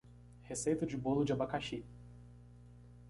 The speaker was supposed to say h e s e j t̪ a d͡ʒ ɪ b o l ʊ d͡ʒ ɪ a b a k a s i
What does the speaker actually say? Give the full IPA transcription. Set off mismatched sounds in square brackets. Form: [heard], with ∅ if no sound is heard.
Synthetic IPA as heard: h e s e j t̪ [ɐ] d͡ʒ ɪ b o l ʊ d͡ʒ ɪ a b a k a [ʃ] i